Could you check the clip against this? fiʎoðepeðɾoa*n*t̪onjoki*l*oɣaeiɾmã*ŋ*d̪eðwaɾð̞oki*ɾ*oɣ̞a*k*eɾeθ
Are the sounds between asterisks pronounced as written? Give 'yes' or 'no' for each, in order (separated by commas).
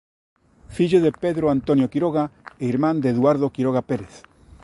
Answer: yes, no, no, yes, no